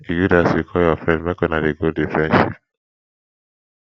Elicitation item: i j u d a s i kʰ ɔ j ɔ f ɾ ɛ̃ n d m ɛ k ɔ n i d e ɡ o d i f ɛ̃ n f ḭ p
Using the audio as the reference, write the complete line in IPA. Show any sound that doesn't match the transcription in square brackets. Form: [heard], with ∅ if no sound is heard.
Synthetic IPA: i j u d a s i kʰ ɔ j ɔ f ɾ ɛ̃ n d m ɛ k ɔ n [a] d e ɡ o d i f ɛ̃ n [ʃ] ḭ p